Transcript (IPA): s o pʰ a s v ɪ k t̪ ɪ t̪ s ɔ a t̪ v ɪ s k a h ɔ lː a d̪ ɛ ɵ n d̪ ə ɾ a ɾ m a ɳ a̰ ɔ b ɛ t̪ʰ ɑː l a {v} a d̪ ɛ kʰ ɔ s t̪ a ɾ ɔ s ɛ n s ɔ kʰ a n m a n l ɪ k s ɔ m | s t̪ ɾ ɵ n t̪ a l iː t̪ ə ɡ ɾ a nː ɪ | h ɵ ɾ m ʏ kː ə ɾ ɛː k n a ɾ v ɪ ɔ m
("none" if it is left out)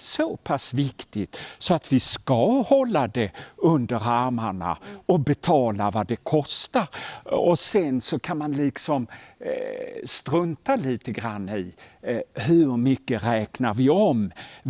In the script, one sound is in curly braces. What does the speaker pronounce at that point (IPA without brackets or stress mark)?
v